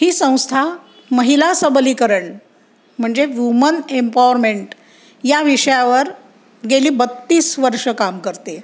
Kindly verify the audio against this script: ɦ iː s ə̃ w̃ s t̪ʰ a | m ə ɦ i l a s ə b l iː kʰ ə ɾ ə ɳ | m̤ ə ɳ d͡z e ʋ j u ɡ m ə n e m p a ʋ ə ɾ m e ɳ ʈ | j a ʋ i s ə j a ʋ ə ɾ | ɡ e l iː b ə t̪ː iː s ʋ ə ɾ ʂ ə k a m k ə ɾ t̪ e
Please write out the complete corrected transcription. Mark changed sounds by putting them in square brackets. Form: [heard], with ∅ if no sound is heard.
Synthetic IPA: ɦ iː s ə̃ w̃ s t̪ʰ a | m ə ɦ i l a s ə b l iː [k] ə ɾ ə ɳ | m̤ ə ɳ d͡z e ʋ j u [∅] m ə n e m p a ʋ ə ɾ m e ɳ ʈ | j a ʋ i [ʂ] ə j a ʋ ə ɾ | ɡ e l iː b ə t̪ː iː s ʋ ə ɾ ʂ ə k a m k ə ɾ t̪ e

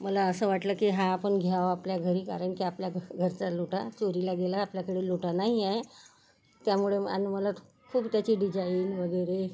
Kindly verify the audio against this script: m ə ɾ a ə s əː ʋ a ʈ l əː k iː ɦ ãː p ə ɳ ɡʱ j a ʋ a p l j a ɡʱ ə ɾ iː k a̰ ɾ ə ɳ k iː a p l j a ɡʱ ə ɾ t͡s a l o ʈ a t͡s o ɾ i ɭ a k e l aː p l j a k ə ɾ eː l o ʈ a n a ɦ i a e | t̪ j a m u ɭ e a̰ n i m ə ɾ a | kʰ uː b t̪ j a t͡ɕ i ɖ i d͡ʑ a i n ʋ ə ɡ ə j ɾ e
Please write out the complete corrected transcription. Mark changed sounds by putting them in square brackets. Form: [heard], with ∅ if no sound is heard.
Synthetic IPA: m ə [l] a ə s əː ʋ a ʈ l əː k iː ɦ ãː p ə ɳ ɡʱ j a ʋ a p l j a ɡʱ ə ɾ iː k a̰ ɾ ə ɳ k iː a p l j a ɡʱ ə ɾ t͡s a l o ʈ a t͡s o ɾ i [l] a [ɡ] e l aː p l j a k ə [ɽ] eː l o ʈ a n a ɦ i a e | t̪ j a m u ɭ e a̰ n i m ə [l] a | kʰ uː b t̪ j a t͡ɕ i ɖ i d͡ʑ a i n ʋ ə ɡ ə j ɾ e

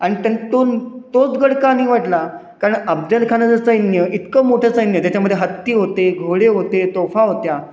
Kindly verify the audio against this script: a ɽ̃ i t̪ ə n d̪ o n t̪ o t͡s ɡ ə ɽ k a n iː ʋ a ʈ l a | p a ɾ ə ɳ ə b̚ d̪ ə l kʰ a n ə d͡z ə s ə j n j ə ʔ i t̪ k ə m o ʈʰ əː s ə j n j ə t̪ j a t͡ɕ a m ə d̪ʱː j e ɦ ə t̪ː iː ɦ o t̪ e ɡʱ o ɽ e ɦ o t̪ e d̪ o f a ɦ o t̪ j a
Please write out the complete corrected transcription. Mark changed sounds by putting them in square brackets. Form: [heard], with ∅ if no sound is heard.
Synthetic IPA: a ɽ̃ i t̪ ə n [t̪] o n t̪ o t͡s ɡ ə ɽ k a n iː ʋ a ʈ l a | [k] a ɾ ə ɳ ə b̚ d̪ ə l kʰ a n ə d͡z ə s ə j n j ə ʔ i t̪ k ə m o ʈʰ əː s ə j n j ə t̪ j a t͡ɕ a m ə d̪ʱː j e ɦ ə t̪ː iː ɦ o t̪ e ɡʱ o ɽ e ɦ o t̪ e [t̪] o f a ɦ o t̪ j a

